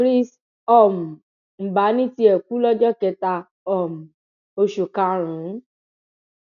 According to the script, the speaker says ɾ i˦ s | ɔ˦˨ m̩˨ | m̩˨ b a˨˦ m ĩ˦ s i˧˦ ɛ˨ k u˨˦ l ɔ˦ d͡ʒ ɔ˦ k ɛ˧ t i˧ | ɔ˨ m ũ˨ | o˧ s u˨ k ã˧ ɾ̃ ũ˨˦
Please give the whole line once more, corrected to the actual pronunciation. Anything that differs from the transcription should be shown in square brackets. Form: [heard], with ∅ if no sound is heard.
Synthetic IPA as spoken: ɾ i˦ s | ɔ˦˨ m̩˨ | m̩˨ b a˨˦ [n] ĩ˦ [t] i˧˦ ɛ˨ k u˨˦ l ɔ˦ d͡ʒ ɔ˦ k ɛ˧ t [a˧] | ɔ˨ m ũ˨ | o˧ [ʃ] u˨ k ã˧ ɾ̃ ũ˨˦

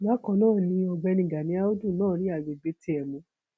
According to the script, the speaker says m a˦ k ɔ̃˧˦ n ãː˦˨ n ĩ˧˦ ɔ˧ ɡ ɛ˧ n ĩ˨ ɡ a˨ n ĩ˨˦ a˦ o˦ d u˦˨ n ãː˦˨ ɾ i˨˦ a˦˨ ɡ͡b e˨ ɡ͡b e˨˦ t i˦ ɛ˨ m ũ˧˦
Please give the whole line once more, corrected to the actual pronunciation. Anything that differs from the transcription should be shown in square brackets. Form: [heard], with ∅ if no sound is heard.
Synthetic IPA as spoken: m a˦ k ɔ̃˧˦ n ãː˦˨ n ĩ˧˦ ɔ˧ [ɡ͡b] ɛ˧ n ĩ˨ ɡ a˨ n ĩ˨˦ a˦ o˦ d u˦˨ n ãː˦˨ ɾ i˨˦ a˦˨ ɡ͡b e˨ ɡ͡b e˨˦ t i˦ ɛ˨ m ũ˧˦

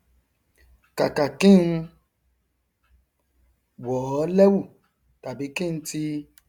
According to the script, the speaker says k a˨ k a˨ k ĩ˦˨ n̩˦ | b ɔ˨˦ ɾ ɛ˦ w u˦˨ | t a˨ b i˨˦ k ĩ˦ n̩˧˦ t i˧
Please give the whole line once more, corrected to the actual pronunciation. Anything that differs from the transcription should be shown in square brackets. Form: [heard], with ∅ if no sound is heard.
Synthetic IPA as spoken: k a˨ k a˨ k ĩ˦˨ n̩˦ | [w] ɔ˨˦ [l] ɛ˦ w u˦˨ | t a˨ b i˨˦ k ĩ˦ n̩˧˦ t i˧

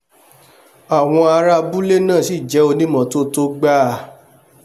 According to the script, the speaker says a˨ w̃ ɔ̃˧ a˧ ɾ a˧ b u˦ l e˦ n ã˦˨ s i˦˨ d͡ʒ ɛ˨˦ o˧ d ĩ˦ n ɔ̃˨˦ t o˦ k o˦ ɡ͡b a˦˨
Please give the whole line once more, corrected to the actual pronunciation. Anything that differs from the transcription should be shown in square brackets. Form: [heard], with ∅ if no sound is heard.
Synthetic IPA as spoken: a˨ w̃ ɔ̃˧ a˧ ɾ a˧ b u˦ l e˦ n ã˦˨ s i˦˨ d͡ʒ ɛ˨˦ o˧ [n] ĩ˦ [m] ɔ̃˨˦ t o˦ [t] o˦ ɡ͡b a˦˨

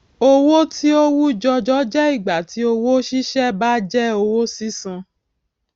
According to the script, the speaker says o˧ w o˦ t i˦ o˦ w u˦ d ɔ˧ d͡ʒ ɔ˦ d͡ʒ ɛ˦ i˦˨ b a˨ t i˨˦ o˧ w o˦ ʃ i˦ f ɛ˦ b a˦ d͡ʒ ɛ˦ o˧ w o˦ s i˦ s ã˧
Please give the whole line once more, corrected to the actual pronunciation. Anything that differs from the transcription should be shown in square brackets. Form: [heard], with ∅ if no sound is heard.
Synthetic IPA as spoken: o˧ w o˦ t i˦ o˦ w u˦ [d͡ʒ] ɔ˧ d͡ʒ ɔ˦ d͡ʒ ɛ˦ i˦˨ [ɡ͡b] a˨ t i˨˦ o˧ w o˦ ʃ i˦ [ʃ] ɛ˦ b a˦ d͡ʒ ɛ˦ o˧ w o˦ s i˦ s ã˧

